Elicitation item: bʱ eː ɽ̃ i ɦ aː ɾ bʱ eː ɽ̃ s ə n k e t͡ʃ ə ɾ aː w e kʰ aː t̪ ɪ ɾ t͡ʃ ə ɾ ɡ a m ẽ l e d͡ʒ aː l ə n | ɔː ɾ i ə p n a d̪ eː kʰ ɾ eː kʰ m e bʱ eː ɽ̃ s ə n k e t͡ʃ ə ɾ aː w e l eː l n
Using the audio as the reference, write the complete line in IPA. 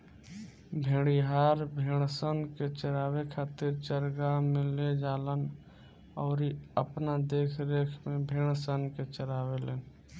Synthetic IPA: bʱ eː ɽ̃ i ɦ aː ɾ bʱ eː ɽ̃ s ə n k e t͡ʃ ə ɾ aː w e kʰ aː t̪ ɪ ɾ t͡ʃ ə ɾ ɡ a m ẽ l e d͡ʒ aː l ə n | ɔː ɾ i ə p n a d̪ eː kʰ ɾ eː kʰ m e bʱ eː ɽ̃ s ə n k e t͡ʃ ə ɾ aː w e l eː n